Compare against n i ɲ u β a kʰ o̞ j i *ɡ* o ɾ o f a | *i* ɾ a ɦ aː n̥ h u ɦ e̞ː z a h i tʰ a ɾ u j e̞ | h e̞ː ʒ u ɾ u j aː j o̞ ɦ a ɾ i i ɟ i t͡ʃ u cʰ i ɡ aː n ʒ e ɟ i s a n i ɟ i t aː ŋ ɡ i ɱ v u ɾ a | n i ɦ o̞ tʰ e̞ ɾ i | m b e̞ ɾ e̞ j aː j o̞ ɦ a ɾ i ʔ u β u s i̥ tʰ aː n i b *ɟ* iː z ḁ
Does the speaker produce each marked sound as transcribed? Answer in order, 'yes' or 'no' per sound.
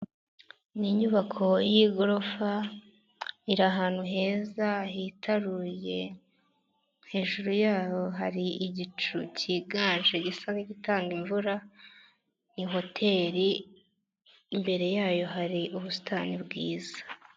yes, yes, no

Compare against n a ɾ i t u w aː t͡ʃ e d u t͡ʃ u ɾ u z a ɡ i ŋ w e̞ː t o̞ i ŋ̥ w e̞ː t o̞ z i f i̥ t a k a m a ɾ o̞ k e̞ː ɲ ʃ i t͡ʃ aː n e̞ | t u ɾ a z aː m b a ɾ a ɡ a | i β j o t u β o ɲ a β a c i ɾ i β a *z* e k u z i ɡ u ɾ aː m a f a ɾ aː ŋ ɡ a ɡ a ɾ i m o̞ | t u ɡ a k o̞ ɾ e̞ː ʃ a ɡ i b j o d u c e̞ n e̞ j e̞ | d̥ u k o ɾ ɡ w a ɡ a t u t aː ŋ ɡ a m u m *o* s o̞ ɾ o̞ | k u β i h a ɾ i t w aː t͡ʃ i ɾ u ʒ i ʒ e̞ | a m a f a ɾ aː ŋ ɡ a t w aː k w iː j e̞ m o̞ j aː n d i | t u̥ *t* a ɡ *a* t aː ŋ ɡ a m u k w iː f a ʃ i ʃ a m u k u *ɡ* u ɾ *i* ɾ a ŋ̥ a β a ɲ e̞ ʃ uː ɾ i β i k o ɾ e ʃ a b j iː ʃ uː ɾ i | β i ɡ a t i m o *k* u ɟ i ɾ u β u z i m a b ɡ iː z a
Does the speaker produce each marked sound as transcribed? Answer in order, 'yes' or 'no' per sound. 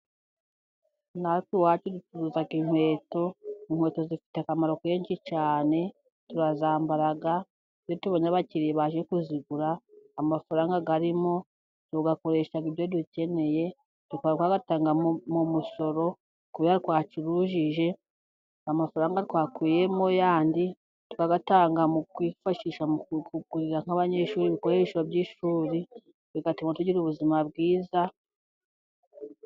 no, no, no, yes, yes, yes, no

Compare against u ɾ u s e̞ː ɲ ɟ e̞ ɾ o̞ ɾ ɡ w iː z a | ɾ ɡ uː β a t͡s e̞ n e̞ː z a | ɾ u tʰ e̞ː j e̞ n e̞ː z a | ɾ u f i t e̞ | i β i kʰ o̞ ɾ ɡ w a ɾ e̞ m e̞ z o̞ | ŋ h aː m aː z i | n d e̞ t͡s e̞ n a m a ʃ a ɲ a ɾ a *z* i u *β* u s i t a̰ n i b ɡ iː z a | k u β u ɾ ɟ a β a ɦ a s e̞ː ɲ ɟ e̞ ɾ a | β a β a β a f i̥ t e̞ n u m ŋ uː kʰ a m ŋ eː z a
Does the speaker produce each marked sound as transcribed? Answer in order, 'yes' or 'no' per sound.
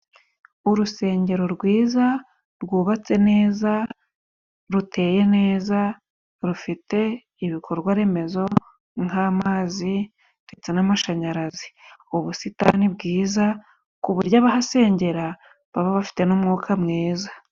yes, yes

